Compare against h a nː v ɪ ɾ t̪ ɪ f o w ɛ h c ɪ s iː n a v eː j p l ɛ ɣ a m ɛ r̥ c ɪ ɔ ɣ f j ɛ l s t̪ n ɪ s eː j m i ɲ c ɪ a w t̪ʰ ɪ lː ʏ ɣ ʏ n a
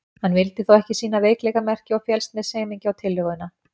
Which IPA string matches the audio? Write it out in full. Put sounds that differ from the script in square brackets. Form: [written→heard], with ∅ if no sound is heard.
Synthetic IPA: h a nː v ɪ [ɾ→l] t̪ ɪ [f→θ] o w ɛ h c ɪ s iː n a v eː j [p→k] l ɛ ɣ a m ɛ r̥ c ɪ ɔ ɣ f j ɛ l s t̪ n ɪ s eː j m i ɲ c ɪ a w t̪ʰ ɪ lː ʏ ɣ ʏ n a

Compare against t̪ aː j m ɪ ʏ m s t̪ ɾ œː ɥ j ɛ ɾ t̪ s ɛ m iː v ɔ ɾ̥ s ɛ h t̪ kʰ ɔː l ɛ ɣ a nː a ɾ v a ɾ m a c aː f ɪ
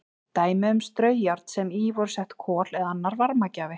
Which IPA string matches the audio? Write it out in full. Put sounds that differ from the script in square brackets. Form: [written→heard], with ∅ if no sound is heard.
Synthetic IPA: t̪ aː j m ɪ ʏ m s t̪ ɾ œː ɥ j [ɛ→a] ɾ t̪ s ɛ m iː v ɔ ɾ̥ s ɛ h t̪ kʰ ɔː l ɛ [ɣ→ð] a nː a ɾ v a ɾ m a c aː [f→v] ɪ

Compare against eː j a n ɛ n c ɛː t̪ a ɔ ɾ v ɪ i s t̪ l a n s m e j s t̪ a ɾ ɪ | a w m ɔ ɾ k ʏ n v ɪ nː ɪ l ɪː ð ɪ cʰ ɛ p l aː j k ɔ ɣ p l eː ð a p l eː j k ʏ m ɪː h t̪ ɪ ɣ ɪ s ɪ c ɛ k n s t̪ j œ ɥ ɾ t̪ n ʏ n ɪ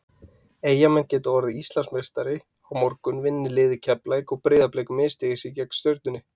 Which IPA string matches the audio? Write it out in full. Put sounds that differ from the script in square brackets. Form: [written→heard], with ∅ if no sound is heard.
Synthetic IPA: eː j a [n→m] ɛ n c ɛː t̪ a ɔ ɾ [v→ð] ɪ i s t̪ l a n s m e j s t̪ a ɾ ɪ | a w m ɔ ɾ k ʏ n v ɪ nː ɪ l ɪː ð ɪ cʰ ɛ p l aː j k ɔ ɣ p [l→ɾ] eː ð a p l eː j k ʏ m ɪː [h→s] t̪ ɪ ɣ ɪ s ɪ c ɛ k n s t̪ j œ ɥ ɾ t̪ n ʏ n ɪ

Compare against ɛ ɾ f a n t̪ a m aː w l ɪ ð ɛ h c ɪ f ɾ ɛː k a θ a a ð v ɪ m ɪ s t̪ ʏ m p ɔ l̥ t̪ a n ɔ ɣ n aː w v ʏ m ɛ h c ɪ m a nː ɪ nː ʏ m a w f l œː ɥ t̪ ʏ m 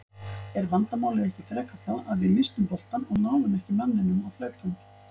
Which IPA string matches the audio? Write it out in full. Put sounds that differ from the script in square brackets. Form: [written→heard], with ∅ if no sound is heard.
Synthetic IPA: ɛ ɾ [f→v] a n t̪ a m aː w l ɪ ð ɛ h c ɪ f ɾ ɛː k a θ a a ð v ɪ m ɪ s t̪ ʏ m p ɔ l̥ t̪ a n ɔ ɣ n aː w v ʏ m ɛ h c ɪ m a nː ɪ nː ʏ m a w f l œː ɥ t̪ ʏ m

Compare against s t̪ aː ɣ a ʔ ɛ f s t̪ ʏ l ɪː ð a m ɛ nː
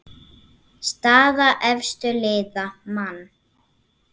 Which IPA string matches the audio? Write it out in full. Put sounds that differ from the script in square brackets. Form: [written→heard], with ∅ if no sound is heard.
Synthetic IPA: s t̪ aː [ɣ→ð] a ʔ ɛ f s t̪ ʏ l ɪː ð a m [ɛ→a] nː

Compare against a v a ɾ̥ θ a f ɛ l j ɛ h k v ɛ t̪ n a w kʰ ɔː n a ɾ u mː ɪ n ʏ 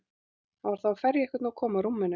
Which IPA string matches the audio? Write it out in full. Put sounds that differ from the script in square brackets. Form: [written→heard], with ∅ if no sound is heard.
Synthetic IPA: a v a ɾ̥ θ a f ɛ [l→ɾ] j ɛ h k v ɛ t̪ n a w kʰ ɔː [n→m] a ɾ u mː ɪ n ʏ

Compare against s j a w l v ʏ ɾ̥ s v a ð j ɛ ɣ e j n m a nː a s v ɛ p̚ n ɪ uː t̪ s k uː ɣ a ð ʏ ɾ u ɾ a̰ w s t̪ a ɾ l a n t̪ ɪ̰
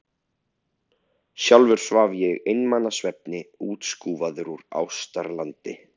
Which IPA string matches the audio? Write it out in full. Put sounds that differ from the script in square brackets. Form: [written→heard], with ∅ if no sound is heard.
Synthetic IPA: s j a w l v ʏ ɾ̥ s v a [ð→v] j ɛ ɣ e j n m a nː a s v ɛ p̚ n ɪ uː t̪ s k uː [ɣ→v] a ð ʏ ɾ u ɾ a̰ w s t̪ a ɾ l a n t̪ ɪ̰

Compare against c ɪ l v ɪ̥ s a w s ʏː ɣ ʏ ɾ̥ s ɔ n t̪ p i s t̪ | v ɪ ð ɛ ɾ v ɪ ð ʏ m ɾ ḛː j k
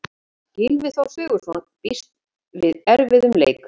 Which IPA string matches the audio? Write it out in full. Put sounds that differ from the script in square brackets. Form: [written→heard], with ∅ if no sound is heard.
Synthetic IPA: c ɪ l v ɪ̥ [s→θ] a w s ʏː ɣ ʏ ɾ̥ s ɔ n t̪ p i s t̪ | v ɪ ð ɛ ɾ v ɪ ð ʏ m [ɾ→l] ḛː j k

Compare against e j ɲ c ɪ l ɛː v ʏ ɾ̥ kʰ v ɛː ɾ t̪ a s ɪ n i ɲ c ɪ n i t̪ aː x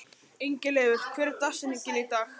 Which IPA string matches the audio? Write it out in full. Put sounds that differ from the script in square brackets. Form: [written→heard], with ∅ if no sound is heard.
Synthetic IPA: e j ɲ c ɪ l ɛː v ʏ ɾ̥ kʰ v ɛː ɾ t̪ a s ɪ n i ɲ c ɪ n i t̪ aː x

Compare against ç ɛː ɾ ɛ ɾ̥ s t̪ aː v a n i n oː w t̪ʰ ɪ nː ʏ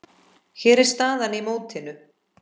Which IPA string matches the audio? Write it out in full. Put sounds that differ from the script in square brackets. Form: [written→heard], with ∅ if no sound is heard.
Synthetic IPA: ç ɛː ɾ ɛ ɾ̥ s t̪ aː [v→ð] a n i [n→m] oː w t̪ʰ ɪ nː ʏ

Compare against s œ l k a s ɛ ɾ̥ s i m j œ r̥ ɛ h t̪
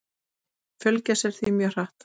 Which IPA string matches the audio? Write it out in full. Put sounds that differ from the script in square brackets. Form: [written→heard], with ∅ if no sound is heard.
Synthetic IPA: [s→f] œ l [k→c] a s ɛ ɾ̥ [s→θ] i m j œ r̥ [ɛ→a] h t̪

